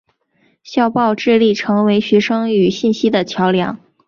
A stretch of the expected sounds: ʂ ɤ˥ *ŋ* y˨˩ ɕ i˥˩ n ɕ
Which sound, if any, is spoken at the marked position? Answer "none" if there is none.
ŋ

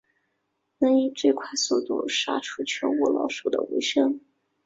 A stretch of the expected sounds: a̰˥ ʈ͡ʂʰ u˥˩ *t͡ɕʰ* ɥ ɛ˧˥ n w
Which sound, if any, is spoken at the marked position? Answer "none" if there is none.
t͡ɕʰ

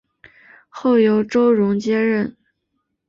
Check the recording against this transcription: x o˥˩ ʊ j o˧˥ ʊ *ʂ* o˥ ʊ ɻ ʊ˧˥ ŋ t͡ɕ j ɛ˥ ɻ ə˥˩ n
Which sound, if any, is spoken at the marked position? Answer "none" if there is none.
ʈ͡ʂ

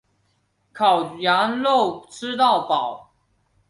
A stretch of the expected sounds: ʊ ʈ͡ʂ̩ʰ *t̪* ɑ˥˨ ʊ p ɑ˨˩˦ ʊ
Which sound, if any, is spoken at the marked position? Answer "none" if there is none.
t̪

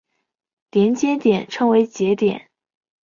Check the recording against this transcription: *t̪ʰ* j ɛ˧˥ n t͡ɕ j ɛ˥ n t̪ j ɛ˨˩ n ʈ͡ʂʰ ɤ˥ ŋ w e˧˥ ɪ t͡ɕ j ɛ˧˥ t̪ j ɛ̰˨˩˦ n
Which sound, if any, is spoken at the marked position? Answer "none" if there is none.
t̪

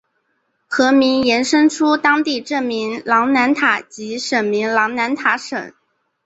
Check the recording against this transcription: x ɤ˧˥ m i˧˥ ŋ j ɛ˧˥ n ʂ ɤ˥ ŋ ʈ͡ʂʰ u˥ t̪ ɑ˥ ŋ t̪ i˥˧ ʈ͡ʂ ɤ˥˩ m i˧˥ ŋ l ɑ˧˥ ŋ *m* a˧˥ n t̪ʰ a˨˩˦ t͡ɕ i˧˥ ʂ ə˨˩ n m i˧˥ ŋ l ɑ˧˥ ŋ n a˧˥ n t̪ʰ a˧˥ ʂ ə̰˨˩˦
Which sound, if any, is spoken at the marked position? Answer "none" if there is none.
n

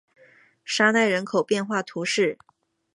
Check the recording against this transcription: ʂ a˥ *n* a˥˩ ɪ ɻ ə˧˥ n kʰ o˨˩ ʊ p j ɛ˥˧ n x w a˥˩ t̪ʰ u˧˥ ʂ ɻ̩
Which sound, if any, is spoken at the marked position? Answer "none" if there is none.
n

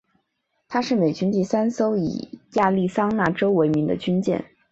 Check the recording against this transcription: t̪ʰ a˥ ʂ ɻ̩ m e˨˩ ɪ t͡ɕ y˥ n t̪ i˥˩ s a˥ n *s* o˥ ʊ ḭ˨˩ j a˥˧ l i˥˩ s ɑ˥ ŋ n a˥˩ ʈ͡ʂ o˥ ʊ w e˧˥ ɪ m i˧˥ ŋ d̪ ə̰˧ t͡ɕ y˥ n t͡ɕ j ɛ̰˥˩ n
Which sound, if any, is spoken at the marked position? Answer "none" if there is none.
s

